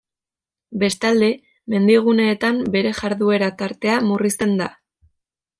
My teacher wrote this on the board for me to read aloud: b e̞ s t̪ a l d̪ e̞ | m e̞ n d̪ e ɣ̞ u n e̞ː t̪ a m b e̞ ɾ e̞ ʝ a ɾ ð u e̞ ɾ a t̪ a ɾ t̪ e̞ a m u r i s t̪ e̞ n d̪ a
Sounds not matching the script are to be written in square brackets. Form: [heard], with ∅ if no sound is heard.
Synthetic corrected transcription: b e̞ s t̪ a l d̪ e̞ | m e̞ n d̪ [i] ɣ̞ u n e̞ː t̪ a m b e̞ ɾ e̞ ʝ a ɾ ð u e̞ ɾ a t̪ a ɾ t̪ e̞ a m u r i s t̪ e̞ n d̪ a